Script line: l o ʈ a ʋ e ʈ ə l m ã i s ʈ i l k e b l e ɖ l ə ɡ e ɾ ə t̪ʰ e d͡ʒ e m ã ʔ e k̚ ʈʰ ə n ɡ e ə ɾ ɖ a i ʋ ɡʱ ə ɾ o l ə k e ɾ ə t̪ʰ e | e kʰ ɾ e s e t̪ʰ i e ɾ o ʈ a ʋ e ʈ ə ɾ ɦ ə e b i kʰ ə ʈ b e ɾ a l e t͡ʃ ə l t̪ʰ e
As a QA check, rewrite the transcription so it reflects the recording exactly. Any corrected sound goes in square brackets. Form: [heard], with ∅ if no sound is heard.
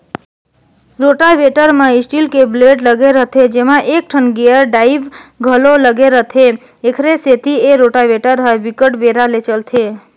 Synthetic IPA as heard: [ɾ] o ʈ a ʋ e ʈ ə [ɾ] m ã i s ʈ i l k e b l e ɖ l ə ɡ e ɾ ə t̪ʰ e d͡ʒ e m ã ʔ e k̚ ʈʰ ə n ɡ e ə ɾ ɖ a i ʋ ɡʱ ə [l] o l ə [ɡ] e ɾ ə t̪ʰ e | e kʰ ɾ e s e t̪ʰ i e ɾ o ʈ a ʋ e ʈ ə ɾ ɦ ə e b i [k] ə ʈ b e ɾ a l e t͡ʃ ə l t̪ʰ e